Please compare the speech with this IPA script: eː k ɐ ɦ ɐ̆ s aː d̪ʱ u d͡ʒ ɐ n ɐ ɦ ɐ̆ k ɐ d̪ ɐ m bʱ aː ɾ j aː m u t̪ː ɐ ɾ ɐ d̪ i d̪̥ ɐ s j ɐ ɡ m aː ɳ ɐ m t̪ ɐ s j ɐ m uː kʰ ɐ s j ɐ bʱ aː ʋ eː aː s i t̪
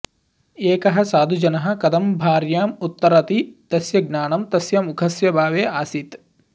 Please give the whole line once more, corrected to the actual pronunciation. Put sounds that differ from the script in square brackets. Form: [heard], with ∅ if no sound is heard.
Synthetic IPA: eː k ɐ ɦ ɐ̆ s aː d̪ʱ u d͡ʒ ɐ n ɐ ɦ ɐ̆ k ɐ d̪ ɐ m bʱ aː ɾ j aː m u t̪ː ɐ ɾ ɐ [t̪] i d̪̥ ɐ s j ɐ ɡ [n] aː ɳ ɐ m t̪ ɐ s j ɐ m [u] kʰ ɐ s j ɐ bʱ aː ʋ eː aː s i t̪

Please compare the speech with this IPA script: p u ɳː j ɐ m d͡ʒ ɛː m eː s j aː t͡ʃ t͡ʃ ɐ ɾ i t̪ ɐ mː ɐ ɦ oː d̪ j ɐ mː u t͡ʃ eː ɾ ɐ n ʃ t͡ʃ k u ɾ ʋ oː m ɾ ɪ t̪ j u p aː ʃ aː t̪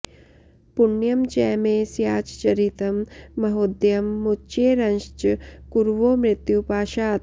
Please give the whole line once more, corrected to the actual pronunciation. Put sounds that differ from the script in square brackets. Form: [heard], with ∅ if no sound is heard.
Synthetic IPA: p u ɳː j ɐ m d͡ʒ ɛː m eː s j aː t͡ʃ t͡ʃ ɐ ɾ i t̪ ɐ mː ɐ ɦ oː d̪ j ɐ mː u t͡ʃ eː ɾ ɐ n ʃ t͡ʃ k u ɾ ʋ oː m ɾ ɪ t̪ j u p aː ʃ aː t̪

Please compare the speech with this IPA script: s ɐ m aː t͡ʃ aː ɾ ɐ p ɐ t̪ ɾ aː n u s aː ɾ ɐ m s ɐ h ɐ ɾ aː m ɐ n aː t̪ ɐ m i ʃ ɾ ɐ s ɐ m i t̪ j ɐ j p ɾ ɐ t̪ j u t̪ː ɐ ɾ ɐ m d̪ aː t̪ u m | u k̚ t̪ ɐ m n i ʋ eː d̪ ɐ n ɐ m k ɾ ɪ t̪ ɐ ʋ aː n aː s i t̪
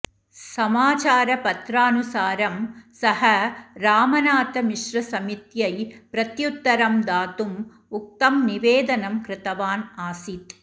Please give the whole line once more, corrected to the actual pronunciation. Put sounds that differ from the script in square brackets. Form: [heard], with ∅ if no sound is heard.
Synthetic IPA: s ɐ m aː t͡ʃ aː ɾ ɐ p ɐ t̪ ɾ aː n u s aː ɾ ɐ m s ɐ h ɐ ɾ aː m ɐ n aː t̪ ɐ m i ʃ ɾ ɐ s ɐ m i t̪ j ɐ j p ɾ ɐ t̪ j u t̪ː ɐ ɾ ɐ m d̪ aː t̪ u m | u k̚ t̪ ɐ m n i ʋ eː d̪ ɐ n ɐ m k ɾ ɪ t̪ ɐ ʋ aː n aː s i t̪

